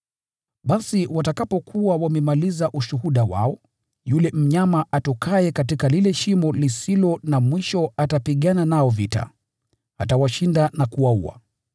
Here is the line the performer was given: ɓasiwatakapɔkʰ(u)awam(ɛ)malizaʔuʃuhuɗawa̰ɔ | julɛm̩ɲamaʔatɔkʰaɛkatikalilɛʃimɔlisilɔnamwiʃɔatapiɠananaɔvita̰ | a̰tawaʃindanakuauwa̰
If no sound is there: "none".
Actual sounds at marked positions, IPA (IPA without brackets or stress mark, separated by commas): u, ɛ